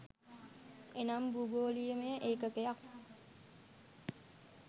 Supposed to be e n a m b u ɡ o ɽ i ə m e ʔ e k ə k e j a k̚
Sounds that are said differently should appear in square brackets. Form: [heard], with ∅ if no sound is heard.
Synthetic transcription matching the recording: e n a m b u ɡ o [l] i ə m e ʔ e k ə k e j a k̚